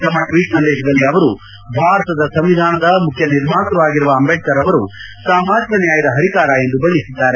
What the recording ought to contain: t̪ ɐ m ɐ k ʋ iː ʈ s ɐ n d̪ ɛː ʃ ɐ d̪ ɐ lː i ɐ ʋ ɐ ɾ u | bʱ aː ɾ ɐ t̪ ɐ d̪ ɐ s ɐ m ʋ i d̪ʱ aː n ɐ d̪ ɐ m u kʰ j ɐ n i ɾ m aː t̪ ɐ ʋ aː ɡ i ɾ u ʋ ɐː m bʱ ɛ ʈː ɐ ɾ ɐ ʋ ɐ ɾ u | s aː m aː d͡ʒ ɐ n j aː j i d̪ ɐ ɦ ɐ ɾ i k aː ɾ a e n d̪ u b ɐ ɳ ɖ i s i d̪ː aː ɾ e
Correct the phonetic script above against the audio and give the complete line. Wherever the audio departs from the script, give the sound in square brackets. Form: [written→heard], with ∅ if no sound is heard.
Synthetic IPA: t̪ ɐ m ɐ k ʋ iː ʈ s ɐ n d̪ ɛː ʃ ɐ d̪ ɐ lː i ɐ ʋ ɐ ɾ u | bʱ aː ɾ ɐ t̪ ɐ d̪ ɐ s ɐ m ʋ i d̪ʱ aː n ɐ d̪ ɐ m u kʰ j ɐ n i ɾ m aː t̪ ɐ ʋ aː ɡ i ɾ u ʋ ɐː m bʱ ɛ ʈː ɐ ɾ ɐ ʋ ɐ ɾ u | s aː m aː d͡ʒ ɐ n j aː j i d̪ ɐ ɦ ɐ ɾ i k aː ɾ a e n d̪ u b ɐ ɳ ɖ i s i d̪ː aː ɾ e

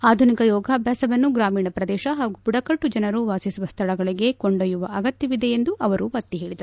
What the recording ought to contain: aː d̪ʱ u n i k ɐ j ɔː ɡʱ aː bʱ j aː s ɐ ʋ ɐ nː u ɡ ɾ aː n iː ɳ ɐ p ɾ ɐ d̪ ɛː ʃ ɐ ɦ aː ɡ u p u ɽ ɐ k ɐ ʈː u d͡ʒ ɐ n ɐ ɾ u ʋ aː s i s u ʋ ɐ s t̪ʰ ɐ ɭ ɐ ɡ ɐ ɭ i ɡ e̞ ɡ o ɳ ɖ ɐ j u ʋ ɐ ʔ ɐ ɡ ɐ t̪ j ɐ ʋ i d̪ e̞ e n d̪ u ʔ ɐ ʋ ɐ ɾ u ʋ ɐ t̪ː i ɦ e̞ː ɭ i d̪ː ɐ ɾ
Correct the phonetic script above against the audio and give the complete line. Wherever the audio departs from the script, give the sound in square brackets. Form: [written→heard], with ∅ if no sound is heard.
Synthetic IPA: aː d̪ʱ u n i k ɐ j ɔː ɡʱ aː bʱ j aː s ɐ ʋ ɐ nː u ɡ ɾ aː [n→m] iː ɳ ɐ p ɾ ɐ d̪ ɛː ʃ ɐ ɦ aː ɡ u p u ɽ ɐ k ɐ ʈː u d͡ʒ ɐ n ɐ ɾ u ʋ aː s i s u ʋ ɐ s t̪ʰ ɐ ɭ ɐ ɡ ɐ ɭ i ɡ e̞ [ɡ→k] o ɳ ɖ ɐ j u ʋ ɐ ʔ ɐ ɡ ɐ t̪ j ɐ ʋ i d̪ e̞ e n d̪ u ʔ ɐ ʋ ɐ ɾ u ʋ ɐ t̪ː i ɦ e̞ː ɭ i [d̪ː→d̪] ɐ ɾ

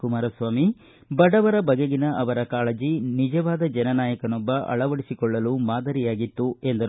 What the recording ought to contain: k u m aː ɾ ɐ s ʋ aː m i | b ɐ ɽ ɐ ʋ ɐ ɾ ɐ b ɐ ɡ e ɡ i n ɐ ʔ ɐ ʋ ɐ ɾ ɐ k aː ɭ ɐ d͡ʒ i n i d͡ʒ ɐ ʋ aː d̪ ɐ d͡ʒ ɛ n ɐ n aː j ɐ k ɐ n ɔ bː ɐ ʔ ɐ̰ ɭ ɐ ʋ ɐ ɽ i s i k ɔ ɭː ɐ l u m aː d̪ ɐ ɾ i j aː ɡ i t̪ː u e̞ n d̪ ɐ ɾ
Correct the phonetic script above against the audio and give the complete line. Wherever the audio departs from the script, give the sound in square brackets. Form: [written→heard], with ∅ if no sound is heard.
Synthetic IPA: k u m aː ɾ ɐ s ʋ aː m i | b ɐ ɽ ɐ ʋ ɐ ɾ ɐ b ɐ ɡ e ɡ i n ɐ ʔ ɐ ʋ ɐ ɾ ɐ k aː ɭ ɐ d͡ʒ i n i d͡ʒ ɐ ʋ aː d̪ ɐ d͡ʒ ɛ n ɐ n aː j ɐ k ɐ n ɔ bː ɐ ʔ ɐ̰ ɭ ɐ ʋ ɐ ɽ i s i k ɔ ɭː ɐ l u m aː d̪ ɐ ɾ i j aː ɡ i t̪ː u e̞ n d̪ ɐ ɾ

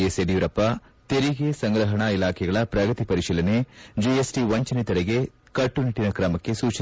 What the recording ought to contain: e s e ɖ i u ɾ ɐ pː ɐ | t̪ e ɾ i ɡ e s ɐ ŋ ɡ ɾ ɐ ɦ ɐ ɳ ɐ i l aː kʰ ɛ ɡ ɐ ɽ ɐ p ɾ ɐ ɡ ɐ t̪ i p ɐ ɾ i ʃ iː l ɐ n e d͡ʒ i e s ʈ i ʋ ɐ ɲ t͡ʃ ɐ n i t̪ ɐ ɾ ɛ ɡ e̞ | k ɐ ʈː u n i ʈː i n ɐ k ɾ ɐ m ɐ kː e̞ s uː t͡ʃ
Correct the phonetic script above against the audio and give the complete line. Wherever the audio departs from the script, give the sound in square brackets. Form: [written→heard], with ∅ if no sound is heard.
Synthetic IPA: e s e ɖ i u ɾ ɐ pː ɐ | t̪ e ɾ i ɡ e s ɐ ŋ ɡ ɾ ɐ ɦ ɐ ɳ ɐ i l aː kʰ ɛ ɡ ɐ [ɽ→ɭ] ɐ p ɾ ɐ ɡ ɐ t̪ i p ɐ ɾ i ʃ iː l ɐ n e d͡ʒ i e s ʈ i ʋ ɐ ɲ t͡ʃ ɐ n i t̪ ɐ ɾ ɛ ɡ e̞ | k ɐ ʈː u n i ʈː i n ɐ k ɾ ɐ m ɐ kː e̞ s uː t͡ʃ

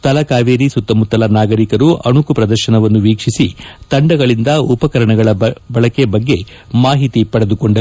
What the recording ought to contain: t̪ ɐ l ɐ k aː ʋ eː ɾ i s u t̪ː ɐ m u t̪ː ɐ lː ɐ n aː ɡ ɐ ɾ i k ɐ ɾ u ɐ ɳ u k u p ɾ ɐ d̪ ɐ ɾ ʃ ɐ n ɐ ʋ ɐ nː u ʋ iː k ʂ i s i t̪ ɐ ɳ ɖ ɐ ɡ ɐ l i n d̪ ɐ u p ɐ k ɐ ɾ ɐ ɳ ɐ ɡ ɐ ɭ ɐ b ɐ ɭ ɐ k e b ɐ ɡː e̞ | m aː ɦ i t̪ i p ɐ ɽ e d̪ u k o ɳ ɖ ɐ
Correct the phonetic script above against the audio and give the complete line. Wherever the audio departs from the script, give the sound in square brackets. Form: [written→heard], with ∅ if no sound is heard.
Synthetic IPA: t̪ ɐ l ɐ k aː ʋ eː ɾ i s u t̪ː ɐ m u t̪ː ɐ [lː→l] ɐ n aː ɡ ɐ ɾ i k ɐ ɾ u ɐ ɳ u k u p ɾ ɐ d̪ ɐ ɾ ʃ ɐ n ɐ ʋ ɐ nː u ʋ iː k ʂ i s i t̪ ɐ ɳ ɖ ɐ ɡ ɐ [l→ɭ] i n d̪ ɐ u p ɐ k ɐ ɾ ɐ ɳ ɐ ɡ ɐ ɭ ɐ b ɐ ɭ ɐ k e b ɐ ɡː e̞ | m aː ɦ i t̪ i p ɐ ɽ e d̪ u k o ɳ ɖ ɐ

